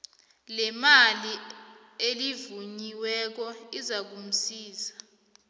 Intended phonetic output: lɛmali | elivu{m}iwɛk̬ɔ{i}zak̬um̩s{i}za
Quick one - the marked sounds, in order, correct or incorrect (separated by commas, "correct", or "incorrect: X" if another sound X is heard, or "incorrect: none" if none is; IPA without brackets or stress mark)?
incorrect: ɲ, correct, incorrect: iː